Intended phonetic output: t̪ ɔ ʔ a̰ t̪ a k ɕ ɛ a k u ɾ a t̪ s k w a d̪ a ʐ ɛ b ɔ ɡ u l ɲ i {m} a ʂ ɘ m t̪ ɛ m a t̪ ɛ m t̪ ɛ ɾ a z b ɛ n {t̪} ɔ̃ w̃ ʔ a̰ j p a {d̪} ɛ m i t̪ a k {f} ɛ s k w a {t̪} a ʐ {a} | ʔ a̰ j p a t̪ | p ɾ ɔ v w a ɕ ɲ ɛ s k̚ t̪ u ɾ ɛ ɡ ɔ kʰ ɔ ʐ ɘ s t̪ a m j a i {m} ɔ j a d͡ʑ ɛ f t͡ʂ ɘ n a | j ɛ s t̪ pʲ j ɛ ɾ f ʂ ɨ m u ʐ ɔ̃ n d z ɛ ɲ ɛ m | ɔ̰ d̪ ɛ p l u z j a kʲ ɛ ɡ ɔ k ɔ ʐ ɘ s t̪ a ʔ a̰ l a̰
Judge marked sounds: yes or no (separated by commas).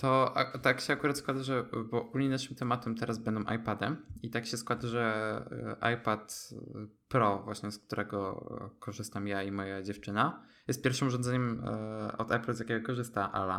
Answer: no, no, yes, no, no, no, yes